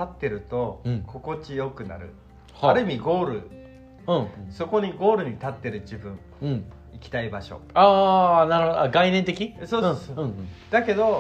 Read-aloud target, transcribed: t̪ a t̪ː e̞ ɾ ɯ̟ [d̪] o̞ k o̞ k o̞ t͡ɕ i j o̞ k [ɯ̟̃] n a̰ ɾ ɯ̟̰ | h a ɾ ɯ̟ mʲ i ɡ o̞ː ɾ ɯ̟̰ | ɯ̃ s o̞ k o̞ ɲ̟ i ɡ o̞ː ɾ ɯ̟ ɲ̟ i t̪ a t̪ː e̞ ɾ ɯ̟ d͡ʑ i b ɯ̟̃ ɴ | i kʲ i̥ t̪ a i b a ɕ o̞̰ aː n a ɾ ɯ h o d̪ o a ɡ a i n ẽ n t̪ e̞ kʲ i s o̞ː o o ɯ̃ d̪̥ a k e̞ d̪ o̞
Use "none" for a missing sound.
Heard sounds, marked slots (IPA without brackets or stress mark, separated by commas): t̪, ɯ̟